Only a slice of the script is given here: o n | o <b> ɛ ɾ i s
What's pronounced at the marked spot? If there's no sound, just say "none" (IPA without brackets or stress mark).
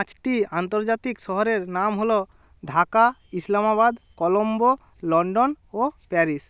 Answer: p